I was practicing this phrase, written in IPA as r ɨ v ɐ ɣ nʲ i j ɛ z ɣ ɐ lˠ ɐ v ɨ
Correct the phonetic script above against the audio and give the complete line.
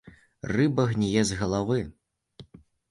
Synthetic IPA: r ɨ b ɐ ɣ nʲ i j ɛ z ɣ ɐ lˠ a v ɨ